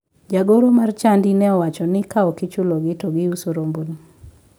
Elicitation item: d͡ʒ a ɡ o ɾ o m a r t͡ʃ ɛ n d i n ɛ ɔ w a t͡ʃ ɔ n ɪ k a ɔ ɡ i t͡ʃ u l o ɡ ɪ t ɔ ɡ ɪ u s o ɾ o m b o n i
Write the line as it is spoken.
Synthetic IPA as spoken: d͡ʒ a ɡ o ɾ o m a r t͡ʃ a n d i n ɛ ɔ w a t͡ʃ ɔ n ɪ k a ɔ k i t͡ʃ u l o ɡ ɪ t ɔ ɡ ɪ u s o ɾ o m b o n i

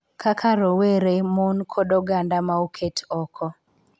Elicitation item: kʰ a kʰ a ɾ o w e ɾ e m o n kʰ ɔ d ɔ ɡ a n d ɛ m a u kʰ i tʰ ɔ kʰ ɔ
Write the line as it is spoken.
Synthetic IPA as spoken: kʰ a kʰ a ɾ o w e ɾ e m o n kʰ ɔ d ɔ ɡ a n d a m a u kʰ e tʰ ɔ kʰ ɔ

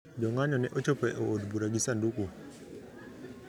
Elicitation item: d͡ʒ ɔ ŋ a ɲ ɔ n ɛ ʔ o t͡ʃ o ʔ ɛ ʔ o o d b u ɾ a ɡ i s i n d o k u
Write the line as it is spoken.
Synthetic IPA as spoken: d͡ʒ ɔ ŋ a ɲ ɔ n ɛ ʔ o t͡ʃ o p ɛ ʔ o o d b u ɾ a ɡ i s a n d u k u

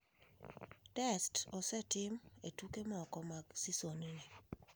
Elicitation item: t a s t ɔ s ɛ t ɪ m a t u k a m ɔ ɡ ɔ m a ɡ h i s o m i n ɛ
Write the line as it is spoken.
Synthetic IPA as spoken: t ɛ s t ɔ s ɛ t ɪ m e t u k e m ɔ k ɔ m a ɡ s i s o n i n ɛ

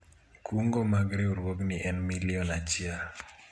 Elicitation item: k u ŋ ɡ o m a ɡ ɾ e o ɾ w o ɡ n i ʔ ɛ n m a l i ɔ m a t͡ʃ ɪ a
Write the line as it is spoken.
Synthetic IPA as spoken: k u ŋ ɡ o m a ɡ ɾ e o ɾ w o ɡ n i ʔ ɛ n m i l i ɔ n a t͡ʃ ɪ a

